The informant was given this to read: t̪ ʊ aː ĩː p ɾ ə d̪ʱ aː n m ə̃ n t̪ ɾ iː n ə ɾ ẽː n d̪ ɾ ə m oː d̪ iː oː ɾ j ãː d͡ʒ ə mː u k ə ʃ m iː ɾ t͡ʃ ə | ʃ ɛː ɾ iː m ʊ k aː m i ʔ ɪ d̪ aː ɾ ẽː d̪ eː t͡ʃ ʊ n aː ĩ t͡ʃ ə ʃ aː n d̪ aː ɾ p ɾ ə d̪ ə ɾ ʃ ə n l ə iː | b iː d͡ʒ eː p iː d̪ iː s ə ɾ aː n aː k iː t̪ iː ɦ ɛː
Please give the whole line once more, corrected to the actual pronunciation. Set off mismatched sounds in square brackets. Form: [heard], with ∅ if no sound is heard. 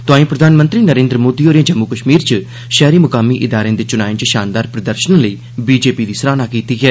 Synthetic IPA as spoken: t̪ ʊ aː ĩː p ɾ ə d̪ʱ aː n m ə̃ n t̪ ɾ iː n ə ɾ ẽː n d̪ ɾ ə m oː d̪ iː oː ɾ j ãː d͡ʒ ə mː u k ə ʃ m iː ɾ t͡ʃ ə | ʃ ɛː ɾ iː m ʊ k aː m i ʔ ɪ d̪ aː ɾ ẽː d̪ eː t͡ʃ ʊ n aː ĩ t͡ʃ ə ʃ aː n d̪ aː ɾ p ɾ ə d̪ ə ɾ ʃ ə n l ə iː | b iː d͡ʒ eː p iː d̪ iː s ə ɾ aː n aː k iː t̪ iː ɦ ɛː